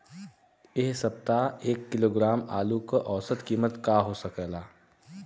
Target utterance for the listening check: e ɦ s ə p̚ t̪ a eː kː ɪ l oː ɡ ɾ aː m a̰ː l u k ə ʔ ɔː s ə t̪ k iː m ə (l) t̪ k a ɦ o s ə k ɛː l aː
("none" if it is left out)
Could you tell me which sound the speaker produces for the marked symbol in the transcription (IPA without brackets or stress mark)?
none